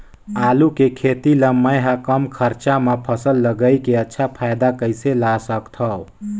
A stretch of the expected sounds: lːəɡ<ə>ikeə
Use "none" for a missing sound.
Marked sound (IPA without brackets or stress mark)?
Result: ə